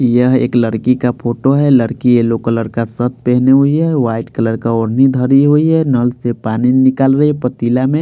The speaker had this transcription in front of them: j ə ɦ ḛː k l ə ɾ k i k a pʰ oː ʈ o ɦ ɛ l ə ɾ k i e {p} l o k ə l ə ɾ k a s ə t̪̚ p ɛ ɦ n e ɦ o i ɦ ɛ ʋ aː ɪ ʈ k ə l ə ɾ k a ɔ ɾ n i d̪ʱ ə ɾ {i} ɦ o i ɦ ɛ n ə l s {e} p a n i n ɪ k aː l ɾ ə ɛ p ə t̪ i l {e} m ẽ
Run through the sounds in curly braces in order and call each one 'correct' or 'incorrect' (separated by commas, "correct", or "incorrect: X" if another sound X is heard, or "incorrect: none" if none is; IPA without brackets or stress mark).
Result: incorrect: none, correct, correct, incorrect: a